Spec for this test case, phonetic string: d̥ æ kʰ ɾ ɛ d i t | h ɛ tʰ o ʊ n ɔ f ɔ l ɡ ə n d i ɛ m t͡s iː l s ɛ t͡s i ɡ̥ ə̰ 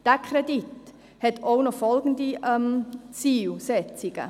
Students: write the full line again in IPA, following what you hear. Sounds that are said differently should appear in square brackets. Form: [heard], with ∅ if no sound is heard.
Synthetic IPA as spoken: d̥ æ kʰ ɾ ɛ d i t | h ɛ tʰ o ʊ n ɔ f ɔ l ɡ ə n d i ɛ m t͡s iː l s ɛ t͡s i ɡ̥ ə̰